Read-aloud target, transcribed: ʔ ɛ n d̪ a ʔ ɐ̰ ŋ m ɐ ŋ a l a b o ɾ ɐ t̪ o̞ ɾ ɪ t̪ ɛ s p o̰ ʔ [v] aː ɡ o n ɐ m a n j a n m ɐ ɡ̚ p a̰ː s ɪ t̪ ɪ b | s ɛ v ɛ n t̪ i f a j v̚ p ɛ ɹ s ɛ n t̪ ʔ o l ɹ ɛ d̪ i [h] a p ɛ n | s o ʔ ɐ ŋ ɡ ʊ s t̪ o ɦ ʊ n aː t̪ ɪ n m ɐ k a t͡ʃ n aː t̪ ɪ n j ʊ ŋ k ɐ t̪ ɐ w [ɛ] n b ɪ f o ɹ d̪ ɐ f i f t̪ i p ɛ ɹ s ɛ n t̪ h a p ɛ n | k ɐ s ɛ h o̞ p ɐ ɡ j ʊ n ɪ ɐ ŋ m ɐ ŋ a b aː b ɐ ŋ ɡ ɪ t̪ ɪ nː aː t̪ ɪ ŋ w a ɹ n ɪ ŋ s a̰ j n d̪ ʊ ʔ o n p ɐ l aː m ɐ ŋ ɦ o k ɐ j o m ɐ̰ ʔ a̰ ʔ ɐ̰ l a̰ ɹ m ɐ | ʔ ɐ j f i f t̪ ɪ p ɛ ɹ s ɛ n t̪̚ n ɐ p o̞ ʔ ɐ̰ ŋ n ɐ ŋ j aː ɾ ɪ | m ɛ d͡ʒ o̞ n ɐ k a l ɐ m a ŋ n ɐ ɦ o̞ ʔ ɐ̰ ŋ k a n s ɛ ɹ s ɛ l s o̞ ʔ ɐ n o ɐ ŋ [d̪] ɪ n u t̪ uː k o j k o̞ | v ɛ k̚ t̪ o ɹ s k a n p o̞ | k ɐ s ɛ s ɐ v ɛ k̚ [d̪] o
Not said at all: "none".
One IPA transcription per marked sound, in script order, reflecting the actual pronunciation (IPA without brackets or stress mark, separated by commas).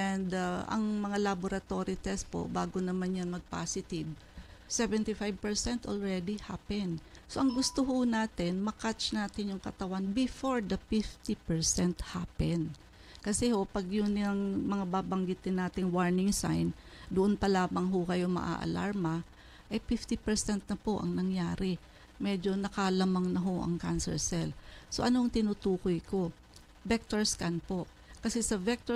b, h, a, t̪, t̪